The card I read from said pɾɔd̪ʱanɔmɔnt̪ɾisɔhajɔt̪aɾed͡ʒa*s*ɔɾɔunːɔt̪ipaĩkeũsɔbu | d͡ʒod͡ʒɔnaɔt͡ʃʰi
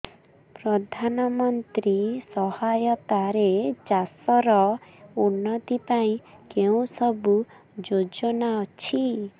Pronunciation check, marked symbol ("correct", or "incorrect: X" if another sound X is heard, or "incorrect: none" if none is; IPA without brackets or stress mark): correct